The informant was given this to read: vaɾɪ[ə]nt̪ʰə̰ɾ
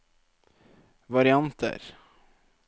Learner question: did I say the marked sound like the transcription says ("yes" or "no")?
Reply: no